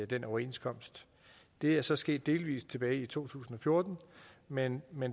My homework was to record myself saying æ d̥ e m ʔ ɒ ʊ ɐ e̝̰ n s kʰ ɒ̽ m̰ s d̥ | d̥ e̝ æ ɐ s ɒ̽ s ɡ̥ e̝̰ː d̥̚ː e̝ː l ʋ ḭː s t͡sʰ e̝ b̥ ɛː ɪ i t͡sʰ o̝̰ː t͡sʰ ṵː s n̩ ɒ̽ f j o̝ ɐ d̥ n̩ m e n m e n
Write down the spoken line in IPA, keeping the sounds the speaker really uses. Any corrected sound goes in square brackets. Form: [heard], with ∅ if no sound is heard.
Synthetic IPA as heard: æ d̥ e [n] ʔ ɒ ʊ ɐ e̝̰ n s kʰ ɒ̽ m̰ s d̥ | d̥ e̝ æ ɐ s ɒ̽ s ɡ̥ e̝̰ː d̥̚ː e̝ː l ʋ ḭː s t͡sʰ e̝ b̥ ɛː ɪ i t͡sʰ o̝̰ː t͡sʰ ṵː s n̩ ɒ̽ f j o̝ ɐ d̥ n̩ m e n m e n